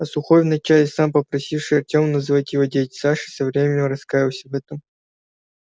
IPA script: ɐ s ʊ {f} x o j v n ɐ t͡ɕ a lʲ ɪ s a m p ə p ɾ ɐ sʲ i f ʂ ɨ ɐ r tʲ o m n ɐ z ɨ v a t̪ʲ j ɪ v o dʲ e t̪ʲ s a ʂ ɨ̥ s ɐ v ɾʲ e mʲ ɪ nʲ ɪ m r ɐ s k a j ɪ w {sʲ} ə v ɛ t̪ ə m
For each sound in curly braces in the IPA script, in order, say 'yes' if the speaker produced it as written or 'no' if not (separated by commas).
no, yes